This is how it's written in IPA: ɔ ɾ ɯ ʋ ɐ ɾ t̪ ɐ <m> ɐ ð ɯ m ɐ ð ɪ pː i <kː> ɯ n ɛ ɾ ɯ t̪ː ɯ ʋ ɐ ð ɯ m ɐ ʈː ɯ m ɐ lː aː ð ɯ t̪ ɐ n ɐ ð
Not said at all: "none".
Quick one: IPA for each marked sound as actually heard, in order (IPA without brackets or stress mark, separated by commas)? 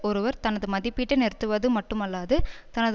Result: n, ʈː